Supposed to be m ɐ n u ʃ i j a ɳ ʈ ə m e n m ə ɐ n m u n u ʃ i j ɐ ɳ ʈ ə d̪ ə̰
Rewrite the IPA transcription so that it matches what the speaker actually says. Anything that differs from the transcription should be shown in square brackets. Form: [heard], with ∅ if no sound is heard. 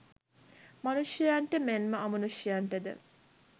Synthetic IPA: m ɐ n u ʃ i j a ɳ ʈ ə m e n m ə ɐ [∅] m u n u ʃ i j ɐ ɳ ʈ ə d̪ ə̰

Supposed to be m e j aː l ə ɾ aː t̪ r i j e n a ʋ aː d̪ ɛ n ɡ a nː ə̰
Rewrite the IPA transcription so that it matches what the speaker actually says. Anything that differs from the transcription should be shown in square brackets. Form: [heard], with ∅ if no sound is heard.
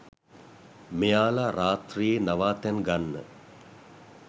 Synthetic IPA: m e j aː l [a] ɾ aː t̪ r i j e n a ʋ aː [t̪] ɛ n ɡ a nː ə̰

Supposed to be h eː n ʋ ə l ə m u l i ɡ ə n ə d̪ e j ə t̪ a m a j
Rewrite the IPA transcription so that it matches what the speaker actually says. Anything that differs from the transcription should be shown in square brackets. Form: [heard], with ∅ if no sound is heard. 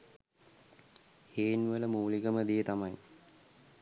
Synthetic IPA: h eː n ʋ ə l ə m [uː] l i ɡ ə [m] ə d̪ [i] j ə t̪ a m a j

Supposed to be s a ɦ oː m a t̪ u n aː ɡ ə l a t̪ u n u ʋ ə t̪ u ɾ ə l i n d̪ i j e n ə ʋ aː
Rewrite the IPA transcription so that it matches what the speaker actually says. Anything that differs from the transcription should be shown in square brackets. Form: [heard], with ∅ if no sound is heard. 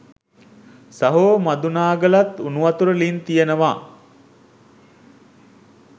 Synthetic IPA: s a ɦ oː m a [d̪] u n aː ɡ ə l a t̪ u n u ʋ [a] t̪ u ɾ ə l i n [t̪] i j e n ə ʋ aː

